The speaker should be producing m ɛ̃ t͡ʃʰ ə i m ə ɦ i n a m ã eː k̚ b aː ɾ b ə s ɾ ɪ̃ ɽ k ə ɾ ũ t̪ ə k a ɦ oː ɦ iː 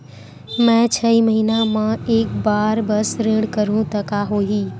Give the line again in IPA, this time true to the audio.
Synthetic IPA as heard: m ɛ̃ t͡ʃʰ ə i m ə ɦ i n a m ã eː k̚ b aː ɾ b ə s ɾ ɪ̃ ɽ k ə ɾ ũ t̪ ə k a ɦ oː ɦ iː